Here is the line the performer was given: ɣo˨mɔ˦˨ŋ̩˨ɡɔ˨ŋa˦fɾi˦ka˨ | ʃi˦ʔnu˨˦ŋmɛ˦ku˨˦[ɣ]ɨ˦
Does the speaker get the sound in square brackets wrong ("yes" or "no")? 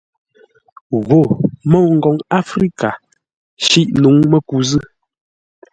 yes